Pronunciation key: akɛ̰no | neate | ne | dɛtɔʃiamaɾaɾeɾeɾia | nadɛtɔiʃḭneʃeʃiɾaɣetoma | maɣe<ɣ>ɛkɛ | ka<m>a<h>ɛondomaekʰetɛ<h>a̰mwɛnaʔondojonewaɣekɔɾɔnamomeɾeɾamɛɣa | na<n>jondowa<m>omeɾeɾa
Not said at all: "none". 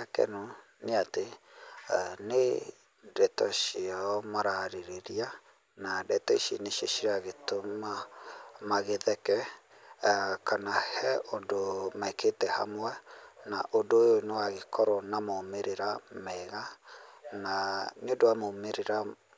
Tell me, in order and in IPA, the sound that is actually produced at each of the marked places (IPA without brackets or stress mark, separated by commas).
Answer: ð, n, h, h, n, m